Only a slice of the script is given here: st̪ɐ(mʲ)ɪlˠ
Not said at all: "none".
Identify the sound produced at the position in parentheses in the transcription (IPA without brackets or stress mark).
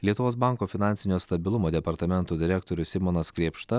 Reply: bʲ